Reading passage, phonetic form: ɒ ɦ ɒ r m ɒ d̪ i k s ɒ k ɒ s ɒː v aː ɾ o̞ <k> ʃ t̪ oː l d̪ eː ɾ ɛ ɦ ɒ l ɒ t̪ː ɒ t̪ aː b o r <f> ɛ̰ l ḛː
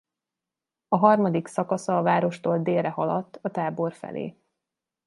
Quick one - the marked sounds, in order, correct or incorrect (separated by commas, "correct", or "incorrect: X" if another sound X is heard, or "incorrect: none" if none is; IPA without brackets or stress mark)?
incorrect: none, correct